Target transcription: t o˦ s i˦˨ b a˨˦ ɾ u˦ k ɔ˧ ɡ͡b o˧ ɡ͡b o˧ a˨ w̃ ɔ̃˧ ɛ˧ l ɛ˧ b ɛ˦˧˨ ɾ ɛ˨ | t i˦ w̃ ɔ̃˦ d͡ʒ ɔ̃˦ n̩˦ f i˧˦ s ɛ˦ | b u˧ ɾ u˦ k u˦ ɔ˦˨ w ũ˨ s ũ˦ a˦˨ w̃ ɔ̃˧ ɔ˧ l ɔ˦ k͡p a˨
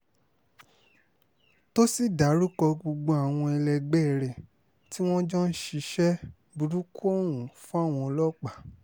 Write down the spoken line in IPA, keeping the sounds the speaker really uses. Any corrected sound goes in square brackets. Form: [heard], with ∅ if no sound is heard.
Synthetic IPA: t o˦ s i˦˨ [d] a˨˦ ɾ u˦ k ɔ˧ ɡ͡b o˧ ɡ͡b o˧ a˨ w̃ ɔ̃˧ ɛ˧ l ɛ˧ [ɡ͡b] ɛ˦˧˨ ɾ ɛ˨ | t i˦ w̃ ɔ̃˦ d͡ʒ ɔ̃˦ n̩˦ [ʃ] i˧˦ [ʃ] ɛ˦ | b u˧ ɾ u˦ k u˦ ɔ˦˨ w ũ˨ [f] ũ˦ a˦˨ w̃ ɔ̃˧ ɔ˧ l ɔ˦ k͡p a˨